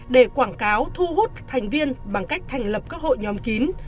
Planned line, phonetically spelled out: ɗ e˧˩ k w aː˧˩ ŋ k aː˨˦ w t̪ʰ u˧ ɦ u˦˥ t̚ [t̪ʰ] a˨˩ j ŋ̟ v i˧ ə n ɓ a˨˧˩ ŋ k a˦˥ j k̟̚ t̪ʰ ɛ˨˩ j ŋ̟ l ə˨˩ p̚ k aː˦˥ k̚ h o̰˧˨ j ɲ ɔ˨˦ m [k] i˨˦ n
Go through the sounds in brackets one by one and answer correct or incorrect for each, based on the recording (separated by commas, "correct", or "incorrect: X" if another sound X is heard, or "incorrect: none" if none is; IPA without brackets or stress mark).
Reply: correct, correct